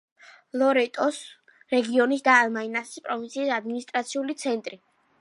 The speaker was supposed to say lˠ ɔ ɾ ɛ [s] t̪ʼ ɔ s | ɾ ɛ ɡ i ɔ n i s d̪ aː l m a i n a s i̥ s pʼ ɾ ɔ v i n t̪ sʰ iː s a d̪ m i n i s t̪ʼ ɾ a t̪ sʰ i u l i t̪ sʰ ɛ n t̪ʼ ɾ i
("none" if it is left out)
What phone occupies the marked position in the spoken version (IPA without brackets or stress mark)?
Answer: none